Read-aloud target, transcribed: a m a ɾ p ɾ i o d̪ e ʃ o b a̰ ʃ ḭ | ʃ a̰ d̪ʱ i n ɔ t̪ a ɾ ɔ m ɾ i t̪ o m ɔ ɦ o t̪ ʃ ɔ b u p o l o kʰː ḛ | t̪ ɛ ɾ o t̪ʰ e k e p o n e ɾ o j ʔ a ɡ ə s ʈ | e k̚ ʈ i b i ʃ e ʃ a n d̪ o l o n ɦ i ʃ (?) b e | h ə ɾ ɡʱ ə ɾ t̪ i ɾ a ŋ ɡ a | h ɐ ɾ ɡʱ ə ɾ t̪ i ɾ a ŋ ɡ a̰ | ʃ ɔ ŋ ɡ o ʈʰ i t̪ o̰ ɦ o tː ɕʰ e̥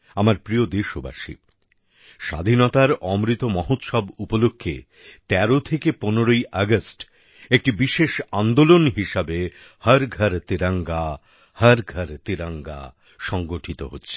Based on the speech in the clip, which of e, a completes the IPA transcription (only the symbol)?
a